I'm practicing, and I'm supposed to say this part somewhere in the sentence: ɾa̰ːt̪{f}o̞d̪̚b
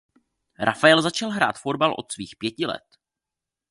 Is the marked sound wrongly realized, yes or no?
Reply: no